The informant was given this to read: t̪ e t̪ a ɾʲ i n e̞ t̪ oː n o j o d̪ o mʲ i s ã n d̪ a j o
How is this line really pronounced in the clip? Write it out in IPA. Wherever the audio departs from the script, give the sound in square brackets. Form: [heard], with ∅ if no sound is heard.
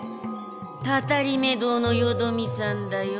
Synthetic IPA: t̪ [a] t̪ a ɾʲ i [m] e̞ [d̪] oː n o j o d̪ o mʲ i s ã n d̪ a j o